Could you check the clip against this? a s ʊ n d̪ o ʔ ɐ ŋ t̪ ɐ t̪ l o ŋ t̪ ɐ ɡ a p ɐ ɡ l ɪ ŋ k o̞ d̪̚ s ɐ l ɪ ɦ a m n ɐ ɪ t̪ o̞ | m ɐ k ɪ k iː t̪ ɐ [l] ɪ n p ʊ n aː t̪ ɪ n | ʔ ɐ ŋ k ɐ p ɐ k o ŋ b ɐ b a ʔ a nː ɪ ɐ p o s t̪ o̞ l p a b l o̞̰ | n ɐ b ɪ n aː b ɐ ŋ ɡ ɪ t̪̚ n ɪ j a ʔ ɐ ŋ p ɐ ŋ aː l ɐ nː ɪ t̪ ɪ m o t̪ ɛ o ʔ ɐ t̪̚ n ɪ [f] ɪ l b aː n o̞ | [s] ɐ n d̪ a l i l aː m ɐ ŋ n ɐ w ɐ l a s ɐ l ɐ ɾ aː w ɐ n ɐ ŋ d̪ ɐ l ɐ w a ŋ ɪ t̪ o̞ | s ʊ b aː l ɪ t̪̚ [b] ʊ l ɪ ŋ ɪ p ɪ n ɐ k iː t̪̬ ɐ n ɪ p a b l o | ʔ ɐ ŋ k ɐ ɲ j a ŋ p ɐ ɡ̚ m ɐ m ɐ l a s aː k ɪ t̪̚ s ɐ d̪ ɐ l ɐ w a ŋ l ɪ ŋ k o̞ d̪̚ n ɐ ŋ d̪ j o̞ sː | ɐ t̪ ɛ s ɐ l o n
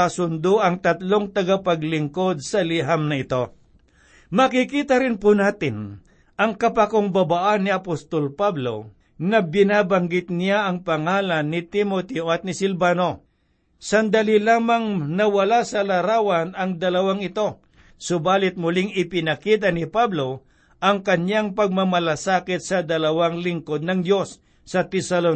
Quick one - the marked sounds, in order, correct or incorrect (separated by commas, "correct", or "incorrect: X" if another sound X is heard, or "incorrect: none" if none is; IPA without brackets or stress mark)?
incorrect: ɾ, incorrect: s, correct, incorrect: m